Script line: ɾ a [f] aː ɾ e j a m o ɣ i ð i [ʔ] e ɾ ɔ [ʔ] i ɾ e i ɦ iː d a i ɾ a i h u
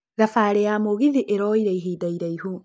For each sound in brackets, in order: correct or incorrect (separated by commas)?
correct, correct, incorrect